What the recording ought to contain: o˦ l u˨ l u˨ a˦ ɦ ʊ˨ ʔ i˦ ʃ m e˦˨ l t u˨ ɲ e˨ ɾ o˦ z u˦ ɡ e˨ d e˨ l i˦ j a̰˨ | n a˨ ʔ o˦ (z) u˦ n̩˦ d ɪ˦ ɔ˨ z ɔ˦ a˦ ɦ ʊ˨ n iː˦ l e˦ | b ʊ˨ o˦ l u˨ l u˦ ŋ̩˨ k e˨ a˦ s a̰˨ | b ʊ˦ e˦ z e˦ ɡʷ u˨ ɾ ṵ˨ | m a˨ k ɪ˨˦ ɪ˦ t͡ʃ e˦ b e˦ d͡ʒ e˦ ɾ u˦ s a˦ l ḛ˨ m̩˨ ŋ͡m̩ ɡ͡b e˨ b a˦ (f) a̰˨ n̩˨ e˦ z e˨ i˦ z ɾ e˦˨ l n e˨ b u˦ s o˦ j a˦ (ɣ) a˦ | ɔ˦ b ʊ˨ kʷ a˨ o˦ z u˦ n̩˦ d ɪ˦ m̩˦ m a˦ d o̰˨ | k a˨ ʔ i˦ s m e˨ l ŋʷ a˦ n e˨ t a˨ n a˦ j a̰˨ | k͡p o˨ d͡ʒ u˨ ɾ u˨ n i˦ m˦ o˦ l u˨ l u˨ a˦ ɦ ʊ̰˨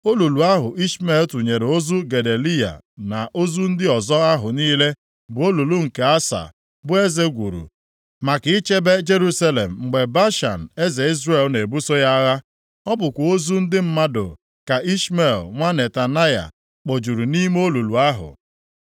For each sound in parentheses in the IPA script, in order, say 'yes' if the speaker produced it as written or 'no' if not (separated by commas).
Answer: yes, no, yes